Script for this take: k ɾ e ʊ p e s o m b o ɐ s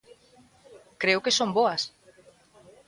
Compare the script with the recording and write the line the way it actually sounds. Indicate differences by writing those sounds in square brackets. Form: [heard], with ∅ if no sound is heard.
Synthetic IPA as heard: k ɾ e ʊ [k] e s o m b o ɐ s

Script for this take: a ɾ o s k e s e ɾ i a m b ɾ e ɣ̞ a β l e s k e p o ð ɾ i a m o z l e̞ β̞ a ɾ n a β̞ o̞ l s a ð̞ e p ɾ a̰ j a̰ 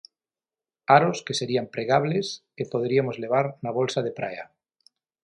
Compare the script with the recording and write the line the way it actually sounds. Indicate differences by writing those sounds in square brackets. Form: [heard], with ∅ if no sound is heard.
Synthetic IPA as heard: a ɾ o s k e s e ɾ i a m [p] ɾ e ɣ̞ a β l e s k e p o ð ɾ i a m o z l e̞ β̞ a ɾ n a β̞ o̞ l s a ð̞ e p ɾ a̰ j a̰

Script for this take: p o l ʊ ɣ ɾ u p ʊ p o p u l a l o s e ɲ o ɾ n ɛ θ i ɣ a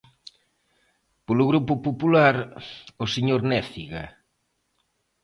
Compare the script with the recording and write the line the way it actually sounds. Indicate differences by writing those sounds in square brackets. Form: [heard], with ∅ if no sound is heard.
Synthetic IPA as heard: p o l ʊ ɣ ɾ u p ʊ p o p u l a [ɾ] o s e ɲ o ɾ n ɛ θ i ɣ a

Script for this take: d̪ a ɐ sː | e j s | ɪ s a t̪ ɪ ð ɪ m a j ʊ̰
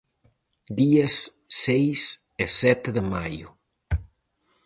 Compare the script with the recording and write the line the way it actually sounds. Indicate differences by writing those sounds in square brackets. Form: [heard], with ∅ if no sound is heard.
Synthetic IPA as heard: d̪ [i] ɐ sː | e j s | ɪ s [ɛ] t̪ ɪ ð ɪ m a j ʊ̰

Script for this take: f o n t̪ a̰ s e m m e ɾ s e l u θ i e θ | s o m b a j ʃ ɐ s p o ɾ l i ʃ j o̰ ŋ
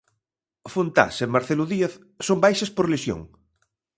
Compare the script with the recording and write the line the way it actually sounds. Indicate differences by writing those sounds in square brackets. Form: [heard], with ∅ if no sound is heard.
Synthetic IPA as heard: f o n t̪ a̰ s e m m [a] ɾ [θ] e l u [ð] i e θ | s o m b a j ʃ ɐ s p o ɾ l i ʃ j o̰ ŋ

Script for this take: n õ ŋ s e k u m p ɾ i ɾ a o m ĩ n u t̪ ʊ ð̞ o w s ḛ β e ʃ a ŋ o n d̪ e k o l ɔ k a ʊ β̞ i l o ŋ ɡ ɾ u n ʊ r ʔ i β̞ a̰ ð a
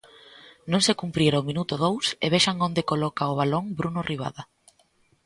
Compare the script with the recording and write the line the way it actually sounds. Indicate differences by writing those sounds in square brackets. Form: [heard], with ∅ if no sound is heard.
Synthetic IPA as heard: n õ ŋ s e k u m p ɾ i ɾ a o m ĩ n u t̪ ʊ ð̞ o w s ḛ β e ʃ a ŋ o n d̪ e k o l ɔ k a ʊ β̞ [a] l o ŋ [b] ɾ u n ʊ r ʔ i β̞ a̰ ð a

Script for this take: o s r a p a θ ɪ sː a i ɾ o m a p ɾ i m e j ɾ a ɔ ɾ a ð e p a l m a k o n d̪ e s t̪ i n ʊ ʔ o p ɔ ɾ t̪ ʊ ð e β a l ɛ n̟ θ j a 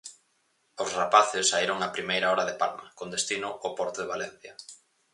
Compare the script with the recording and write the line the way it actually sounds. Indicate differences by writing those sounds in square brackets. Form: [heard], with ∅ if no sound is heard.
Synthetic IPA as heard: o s r a p a θ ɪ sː a i ɾ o [ŋ] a p ɾ i m e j ɾ a ɔ ɾ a ð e p a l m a k o n d̪ e s t̪ i n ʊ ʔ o p ɔ ɾ t̪ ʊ ð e β a l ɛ n̟ θ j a

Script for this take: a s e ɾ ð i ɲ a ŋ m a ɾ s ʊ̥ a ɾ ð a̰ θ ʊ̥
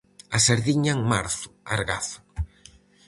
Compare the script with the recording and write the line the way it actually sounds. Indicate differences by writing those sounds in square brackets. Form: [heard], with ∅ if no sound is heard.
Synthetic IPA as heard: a s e ɾ ð i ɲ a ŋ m a ɾ [θ] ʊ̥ a ɾ [ɣ] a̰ θ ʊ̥

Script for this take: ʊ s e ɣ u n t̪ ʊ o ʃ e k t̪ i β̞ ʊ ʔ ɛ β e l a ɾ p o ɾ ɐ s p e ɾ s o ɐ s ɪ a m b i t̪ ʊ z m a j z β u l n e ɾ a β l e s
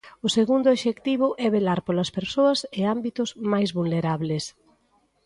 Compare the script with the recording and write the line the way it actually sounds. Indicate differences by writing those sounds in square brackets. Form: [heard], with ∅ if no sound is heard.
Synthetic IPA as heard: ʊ s e ɣ u n [d̪] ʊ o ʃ e k t̪ i β̞ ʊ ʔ ɛ β e l a ɾ p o [l] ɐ s p e ɾ s o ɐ s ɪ a m b i t̪ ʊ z m a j z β u l n e ɾ a β l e s

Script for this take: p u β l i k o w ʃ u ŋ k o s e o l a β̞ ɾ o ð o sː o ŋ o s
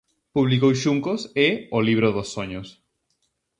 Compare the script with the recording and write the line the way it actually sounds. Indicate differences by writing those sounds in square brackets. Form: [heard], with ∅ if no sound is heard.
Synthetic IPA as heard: p u β l i k o w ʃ u ŋ k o s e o l [i] β̞ ɾ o ð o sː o [ɲ] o s

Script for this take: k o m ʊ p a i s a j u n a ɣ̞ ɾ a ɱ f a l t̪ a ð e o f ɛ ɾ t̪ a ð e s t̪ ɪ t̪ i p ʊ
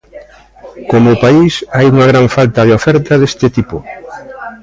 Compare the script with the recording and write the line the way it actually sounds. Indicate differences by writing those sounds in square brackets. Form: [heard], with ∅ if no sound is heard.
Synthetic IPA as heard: k o m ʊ p a i s a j u [ŋ] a ɣ̞ ɾ a ɱ f a l t̪ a ð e o f ɛ ɾ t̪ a ð e s t̪ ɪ t̪ i p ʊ

